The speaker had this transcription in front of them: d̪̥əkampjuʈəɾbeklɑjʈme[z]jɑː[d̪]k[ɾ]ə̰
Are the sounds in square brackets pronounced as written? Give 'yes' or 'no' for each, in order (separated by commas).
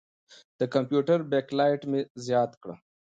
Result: yes, no, no